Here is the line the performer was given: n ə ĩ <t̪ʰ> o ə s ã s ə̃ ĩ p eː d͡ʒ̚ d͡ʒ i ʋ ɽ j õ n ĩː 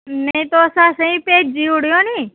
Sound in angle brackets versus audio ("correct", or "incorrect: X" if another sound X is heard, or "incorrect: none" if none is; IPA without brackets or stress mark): incorrect: t̪